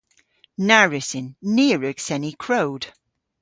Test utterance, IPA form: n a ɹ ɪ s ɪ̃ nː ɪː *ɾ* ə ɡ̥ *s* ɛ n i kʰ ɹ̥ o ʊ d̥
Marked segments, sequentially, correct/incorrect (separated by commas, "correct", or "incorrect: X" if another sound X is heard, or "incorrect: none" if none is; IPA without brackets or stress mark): incorrect: ɹ, correct